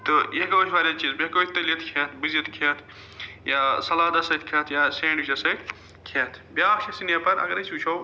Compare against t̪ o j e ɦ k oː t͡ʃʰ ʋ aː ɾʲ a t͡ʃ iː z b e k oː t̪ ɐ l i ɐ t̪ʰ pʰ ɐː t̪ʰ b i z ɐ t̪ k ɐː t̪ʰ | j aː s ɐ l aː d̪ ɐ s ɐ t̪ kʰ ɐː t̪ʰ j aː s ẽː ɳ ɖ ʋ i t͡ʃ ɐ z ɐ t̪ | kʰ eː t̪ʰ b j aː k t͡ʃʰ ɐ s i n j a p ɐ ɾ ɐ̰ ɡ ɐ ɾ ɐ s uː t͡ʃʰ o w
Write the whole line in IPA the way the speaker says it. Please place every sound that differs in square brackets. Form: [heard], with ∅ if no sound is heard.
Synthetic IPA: t̪ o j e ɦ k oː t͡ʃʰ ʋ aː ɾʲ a t͡ʃ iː z b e k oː t̪ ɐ l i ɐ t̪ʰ [kʰ] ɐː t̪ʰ b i z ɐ t̪ [kʰ] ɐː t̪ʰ | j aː s ɐ l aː d̪ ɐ s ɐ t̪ kʰ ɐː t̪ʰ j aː s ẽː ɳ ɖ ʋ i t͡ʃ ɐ [s] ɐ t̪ | kʰ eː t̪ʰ b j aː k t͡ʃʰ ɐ s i n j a p ɐ ɾ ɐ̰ ɡ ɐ ɾ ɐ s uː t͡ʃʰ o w

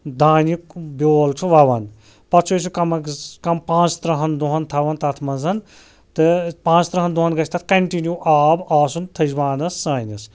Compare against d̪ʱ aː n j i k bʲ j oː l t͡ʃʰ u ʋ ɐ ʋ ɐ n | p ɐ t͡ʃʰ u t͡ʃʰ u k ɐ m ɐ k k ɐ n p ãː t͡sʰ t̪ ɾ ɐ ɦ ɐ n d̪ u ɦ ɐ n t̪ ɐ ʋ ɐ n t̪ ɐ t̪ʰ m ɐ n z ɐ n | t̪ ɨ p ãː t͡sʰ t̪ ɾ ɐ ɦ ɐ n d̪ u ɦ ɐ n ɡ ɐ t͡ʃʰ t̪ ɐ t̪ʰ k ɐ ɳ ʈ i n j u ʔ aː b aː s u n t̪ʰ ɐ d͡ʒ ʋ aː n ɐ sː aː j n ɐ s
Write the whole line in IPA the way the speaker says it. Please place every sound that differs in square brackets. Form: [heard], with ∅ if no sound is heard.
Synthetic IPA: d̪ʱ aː n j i k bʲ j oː l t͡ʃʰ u ʋ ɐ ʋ ɐ n | p ɐ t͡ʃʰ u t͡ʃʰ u k ɐ m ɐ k k ɐ [m] p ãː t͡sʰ t̪ ɾ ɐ ɦ ɐ n d̪ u ɦ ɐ n [t̪ʰ] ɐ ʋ ɐ n t̪ ɐ t̪ʰ m ɐ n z ɐ n | t̪ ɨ p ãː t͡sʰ t̪ ɾ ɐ ɦ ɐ n d̪ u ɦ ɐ n ɡ ɐ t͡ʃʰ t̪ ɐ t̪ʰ k ɐ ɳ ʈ i n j u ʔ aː b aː s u n t̪ʰ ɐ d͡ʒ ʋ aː n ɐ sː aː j n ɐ s

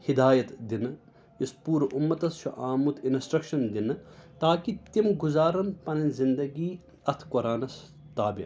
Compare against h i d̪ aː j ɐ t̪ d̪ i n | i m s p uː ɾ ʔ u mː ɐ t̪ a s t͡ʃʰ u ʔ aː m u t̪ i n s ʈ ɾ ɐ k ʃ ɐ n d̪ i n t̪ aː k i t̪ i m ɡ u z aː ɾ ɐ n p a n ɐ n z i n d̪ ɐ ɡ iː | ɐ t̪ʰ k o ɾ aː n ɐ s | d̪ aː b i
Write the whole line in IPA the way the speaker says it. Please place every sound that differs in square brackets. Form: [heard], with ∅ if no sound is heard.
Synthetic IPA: h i d̪ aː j ɐ t̪ d̪ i n | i [∅] s p uː ɾ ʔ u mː ɐ t̪ [ɐ] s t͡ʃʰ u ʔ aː m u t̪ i n s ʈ ɾ ɐ k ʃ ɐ n d̪ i n t̪ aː k i t̪ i m ɡ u z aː ɾ ɐ n p [ɐ] n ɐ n z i n d̪ ɐ ɡ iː | ɐ t̪ʰ k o ɾ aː n ɐ s | [t̪] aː b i

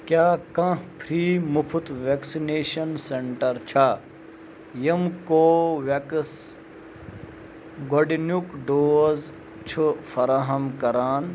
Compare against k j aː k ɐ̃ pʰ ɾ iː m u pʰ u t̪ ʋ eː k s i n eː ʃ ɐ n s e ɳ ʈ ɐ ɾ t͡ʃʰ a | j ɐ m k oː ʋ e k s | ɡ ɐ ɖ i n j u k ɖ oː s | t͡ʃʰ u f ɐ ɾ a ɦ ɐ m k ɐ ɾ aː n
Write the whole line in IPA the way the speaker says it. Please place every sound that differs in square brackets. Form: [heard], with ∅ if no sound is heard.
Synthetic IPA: k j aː k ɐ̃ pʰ ɾ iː m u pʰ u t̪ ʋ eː k s i n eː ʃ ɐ n s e ɳ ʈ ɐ ɾ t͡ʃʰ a | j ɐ m k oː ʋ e k s | ɡ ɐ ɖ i n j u k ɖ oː [z] | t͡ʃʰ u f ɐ ɾ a ɦ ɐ m k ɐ ɾ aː n

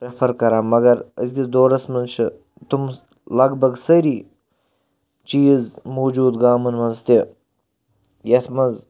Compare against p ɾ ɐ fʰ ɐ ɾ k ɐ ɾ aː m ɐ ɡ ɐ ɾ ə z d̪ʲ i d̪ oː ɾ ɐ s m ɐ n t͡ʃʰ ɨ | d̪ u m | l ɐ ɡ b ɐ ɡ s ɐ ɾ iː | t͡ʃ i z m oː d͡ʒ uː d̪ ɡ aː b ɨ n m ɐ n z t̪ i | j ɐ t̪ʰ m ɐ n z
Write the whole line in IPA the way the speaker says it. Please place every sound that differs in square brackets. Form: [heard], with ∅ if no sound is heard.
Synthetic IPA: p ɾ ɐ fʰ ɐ ɾ k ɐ ɾ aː m ɐ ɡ ɐ ɾ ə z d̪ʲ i d̪ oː ɾ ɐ s m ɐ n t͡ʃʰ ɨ | [t̪] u m | l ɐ ɡ b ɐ ɡ s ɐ ɾ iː | t͡ʃ [iː] z m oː d͡ʒ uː d̪ ɡ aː [m] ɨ n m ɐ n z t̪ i | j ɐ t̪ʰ m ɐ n z

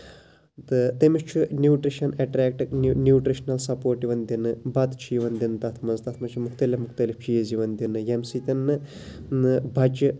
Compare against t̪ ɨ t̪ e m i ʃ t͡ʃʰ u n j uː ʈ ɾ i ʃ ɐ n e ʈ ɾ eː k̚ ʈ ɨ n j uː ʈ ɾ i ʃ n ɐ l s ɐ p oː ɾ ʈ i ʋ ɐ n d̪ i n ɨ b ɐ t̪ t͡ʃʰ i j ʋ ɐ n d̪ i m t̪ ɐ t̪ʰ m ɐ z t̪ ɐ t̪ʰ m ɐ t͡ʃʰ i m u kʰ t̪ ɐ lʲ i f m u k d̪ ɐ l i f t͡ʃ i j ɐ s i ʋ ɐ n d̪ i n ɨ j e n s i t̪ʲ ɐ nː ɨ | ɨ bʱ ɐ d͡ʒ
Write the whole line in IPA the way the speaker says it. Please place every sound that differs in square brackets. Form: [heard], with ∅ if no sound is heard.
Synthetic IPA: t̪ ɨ t̪ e m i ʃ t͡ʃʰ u n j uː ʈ ɾ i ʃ ɐ n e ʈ ɾ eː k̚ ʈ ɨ n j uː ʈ ɾ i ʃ n ɐ l s ɐ p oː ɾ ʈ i ʋ ɐ n d̪ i n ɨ b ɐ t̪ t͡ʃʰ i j ʋ ɐ n d̪ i [n] t̪ ɐ t̪ʰ m ɐ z t̪ ɐ t̪ʰ m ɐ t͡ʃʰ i m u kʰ t̪ ɐ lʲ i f m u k [t̪] ɐ l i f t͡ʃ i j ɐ [z] i ʋ ɐ n d̪ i n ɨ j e [m] s i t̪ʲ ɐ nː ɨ | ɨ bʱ ɐ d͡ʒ

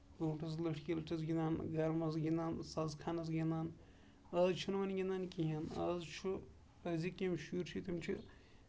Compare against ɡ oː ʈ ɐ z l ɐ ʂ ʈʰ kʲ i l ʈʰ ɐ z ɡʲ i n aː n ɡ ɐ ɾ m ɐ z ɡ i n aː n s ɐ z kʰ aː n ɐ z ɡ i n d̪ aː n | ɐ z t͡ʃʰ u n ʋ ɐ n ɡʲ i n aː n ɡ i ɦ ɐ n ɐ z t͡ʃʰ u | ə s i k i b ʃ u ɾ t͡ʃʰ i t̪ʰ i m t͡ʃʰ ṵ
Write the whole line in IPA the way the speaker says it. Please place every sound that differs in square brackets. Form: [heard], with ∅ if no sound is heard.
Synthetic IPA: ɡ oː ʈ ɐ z l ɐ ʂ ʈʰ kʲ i l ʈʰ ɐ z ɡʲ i n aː n ɡ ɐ ɾ m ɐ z ɡ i n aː n s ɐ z kʰ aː n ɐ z ɡ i n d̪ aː n | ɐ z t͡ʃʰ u n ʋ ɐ n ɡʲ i n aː n [k] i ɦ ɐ n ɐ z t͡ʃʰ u | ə [z] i k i [m] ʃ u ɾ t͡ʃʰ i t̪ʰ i m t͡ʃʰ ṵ

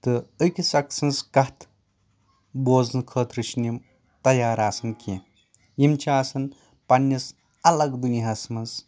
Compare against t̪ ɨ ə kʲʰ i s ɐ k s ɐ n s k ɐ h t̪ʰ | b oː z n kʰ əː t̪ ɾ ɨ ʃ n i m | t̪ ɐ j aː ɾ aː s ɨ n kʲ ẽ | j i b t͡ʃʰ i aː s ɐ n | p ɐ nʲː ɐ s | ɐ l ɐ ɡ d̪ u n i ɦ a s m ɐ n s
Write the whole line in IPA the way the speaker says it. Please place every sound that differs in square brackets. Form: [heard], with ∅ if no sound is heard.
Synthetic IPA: t̪ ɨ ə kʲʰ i s ɐ k s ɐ n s k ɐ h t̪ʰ | b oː z n kʰ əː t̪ ɾ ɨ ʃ n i m | t̪ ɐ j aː ɾ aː s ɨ n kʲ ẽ | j i [m] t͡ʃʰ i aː s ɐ n | p ɐ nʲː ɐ s | ɐ l ɐ ɡ d̪ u n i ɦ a s m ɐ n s

